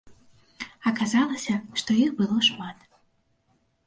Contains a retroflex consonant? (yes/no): yes